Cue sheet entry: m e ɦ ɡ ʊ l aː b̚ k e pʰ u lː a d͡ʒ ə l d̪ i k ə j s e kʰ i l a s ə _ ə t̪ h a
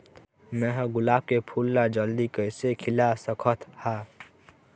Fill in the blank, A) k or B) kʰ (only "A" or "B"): B